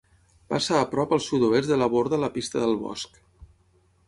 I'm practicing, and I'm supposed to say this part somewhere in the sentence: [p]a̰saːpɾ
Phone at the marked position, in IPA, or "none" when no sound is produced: p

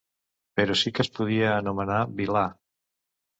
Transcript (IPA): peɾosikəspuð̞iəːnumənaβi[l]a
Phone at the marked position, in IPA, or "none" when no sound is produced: l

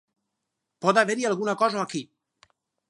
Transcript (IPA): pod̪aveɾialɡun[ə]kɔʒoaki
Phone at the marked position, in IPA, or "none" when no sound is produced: a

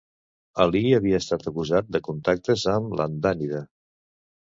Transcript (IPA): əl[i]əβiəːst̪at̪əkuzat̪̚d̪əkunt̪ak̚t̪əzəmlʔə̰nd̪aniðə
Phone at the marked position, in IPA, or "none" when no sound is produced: i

